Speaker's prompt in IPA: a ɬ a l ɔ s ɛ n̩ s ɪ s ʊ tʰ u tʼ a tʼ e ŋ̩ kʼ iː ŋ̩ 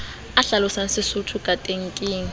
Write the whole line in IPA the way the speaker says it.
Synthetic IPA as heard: a ɬ a l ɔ s a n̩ s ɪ s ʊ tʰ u kʼ a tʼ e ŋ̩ kʼ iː ŋ̩